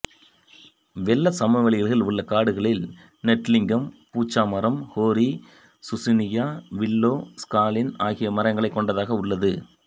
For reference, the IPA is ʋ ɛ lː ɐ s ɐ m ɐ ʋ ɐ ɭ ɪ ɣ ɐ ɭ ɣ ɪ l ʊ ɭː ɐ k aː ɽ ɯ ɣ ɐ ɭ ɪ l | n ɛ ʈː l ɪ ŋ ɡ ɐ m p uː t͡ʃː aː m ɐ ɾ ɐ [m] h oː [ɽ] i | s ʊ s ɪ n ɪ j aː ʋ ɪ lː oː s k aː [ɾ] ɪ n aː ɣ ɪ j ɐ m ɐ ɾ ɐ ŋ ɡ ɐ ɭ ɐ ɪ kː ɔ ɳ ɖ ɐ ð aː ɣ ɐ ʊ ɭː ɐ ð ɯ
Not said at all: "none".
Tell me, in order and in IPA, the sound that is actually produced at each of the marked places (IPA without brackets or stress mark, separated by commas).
m, ɾ, l